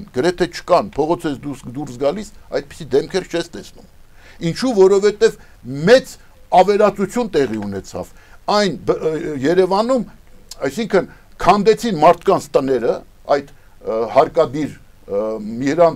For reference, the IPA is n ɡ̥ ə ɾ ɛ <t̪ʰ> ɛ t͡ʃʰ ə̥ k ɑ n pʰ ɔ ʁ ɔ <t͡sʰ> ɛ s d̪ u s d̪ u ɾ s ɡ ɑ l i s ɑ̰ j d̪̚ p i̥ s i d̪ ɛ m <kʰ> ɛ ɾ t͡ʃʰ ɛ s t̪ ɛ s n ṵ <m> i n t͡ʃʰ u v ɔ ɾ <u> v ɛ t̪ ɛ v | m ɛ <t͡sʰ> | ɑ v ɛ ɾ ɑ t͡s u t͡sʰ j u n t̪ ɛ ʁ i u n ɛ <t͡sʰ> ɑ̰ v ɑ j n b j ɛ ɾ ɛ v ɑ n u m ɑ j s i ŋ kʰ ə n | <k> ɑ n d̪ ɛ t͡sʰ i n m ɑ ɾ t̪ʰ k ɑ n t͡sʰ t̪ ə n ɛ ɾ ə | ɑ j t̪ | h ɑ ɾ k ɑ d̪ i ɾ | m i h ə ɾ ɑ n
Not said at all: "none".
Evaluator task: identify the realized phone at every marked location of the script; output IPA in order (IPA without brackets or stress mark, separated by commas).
t̪ʰ, t͡sʰ, kʰ, m, ɔ, t͡s, t͡sʰ, kʰ